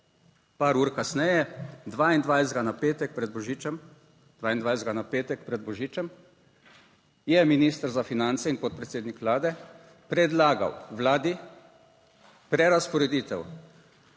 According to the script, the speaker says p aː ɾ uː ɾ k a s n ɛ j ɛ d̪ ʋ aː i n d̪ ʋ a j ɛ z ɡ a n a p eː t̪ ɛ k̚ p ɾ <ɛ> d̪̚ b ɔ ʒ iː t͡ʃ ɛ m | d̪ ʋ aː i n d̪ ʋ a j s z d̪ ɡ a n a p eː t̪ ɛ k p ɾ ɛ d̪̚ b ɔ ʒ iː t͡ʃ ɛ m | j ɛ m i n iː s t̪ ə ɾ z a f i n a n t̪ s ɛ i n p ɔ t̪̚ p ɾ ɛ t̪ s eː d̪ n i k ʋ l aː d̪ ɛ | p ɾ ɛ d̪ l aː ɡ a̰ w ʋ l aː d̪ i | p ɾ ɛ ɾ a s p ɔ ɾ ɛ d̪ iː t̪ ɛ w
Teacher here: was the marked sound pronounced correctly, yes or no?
yes